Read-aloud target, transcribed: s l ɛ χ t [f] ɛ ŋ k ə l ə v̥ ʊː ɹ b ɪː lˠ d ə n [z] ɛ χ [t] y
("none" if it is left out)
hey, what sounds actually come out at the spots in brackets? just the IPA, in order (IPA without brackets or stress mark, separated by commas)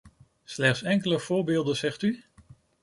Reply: s, z, t